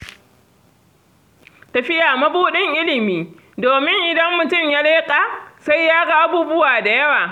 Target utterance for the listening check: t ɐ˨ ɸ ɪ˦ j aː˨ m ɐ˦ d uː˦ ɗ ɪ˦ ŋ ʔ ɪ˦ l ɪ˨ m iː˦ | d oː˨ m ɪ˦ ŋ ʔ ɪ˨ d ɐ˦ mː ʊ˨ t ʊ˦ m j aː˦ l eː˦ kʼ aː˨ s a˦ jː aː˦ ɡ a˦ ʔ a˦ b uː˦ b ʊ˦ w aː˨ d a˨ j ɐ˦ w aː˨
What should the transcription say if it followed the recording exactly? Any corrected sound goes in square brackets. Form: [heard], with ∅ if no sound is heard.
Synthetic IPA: t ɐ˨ ɸ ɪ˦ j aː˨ m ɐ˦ [b] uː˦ ɗ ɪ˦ ŋ ʔ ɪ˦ l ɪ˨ m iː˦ | d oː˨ m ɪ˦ ŋ ʔ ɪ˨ d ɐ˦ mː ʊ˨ t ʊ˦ m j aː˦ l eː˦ kʼ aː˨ s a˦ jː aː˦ ɡ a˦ ʔ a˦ b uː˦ b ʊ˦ w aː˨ d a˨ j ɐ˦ w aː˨